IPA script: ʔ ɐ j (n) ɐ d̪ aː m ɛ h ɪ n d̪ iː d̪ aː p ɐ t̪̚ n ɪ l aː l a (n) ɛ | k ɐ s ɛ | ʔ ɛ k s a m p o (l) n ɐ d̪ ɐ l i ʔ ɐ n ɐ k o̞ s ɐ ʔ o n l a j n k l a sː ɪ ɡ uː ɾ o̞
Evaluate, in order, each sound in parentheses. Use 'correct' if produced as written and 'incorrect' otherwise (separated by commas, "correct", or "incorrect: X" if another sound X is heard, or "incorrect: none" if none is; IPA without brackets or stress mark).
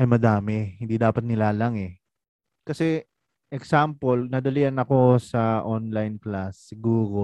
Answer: incorrect: m, incorrect: ŋ, correct